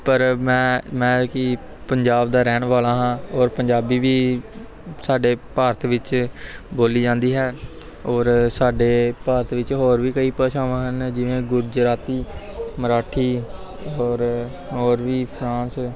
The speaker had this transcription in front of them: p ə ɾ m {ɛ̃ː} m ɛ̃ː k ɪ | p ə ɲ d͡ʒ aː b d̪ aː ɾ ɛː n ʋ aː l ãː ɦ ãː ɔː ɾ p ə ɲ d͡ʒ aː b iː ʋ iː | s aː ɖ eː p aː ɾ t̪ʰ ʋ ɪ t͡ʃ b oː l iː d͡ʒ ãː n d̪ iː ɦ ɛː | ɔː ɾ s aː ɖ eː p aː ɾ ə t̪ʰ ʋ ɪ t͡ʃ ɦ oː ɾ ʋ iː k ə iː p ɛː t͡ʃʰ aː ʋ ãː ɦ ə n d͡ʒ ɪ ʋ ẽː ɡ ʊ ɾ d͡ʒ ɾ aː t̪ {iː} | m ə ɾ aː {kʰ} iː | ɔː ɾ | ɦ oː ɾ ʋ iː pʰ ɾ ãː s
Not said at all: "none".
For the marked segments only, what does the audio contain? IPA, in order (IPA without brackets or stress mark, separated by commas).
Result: ɛ̃ː, iː, ʈʰ